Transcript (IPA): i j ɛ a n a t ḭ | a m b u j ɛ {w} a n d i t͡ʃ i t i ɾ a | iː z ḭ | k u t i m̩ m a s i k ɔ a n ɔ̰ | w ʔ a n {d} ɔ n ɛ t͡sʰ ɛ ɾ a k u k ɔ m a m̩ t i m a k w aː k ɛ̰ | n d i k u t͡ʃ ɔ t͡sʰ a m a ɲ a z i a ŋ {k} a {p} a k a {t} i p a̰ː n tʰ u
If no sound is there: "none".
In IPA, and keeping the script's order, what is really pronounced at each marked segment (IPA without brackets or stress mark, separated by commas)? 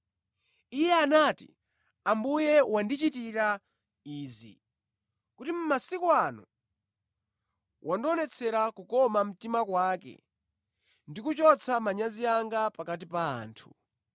w, d, ɡ, p, t